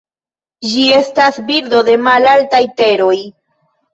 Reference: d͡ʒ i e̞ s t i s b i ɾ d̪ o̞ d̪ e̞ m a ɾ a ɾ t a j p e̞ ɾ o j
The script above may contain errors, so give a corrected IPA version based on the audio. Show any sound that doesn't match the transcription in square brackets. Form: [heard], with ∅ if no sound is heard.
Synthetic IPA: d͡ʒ i e̞ s t [a] s b i ɾ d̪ o̞ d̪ e̞ m a [l] a [l] t a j [t] e̞ ɾ o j